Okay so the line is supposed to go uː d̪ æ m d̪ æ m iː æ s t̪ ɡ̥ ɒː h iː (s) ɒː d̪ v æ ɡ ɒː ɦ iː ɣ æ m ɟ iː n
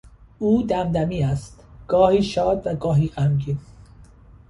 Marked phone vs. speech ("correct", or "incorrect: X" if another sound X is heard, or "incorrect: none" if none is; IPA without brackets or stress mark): incorrect: ʃ